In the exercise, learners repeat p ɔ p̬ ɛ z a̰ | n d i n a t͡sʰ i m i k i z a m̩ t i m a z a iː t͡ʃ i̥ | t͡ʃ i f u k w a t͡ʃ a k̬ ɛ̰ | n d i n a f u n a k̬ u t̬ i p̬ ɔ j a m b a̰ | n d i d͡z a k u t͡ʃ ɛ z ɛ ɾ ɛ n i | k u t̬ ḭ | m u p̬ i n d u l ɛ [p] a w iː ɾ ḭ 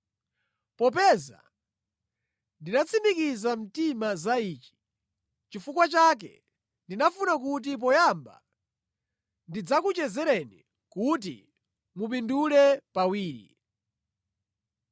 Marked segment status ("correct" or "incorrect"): correct